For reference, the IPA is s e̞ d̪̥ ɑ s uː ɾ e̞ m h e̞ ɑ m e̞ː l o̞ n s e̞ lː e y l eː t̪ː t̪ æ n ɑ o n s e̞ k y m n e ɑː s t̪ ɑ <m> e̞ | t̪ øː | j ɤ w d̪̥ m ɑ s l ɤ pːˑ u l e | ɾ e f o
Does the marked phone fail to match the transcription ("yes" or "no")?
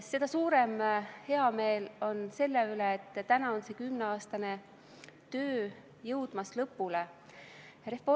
yes